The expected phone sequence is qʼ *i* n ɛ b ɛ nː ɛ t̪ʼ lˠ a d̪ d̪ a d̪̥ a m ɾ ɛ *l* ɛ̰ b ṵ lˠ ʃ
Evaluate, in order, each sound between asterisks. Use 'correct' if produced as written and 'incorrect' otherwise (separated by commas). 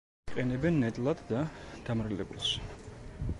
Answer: incorrect, correct